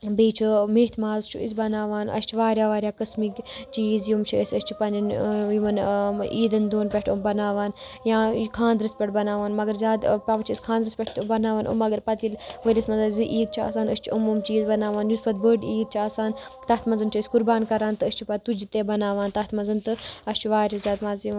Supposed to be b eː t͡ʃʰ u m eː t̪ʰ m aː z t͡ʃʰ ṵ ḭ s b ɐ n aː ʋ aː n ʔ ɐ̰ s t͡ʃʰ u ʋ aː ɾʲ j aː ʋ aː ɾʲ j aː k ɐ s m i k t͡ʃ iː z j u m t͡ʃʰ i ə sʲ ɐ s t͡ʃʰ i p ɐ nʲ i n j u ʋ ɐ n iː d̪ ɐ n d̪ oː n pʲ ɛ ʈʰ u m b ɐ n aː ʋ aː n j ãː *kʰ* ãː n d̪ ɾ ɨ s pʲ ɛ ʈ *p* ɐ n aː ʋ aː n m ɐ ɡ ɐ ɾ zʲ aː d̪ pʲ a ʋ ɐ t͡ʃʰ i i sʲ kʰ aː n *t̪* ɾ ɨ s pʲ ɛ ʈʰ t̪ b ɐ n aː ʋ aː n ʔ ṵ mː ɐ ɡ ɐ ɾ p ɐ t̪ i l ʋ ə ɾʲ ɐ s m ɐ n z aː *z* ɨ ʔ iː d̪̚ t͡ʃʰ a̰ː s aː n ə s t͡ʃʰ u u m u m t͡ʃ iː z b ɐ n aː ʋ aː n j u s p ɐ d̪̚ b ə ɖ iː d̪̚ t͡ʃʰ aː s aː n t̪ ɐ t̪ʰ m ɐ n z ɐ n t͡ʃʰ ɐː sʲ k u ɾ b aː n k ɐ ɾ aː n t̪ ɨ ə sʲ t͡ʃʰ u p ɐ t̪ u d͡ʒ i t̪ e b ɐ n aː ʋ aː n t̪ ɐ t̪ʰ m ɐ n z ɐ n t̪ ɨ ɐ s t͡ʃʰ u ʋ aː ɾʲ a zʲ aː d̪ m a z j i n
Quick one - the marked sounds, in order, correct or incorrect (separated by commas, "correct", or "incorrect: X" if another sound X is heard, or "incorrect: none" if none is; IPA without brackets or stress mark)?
correct, incorrect: b, incorrect: d̪, correct